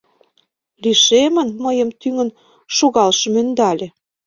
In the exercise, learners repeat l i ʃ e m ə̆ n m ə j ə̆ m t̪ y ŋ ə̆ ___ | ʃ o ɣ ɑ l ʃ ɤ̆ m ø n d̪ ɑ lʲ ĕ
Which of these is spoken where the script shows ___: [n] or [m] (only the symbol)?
n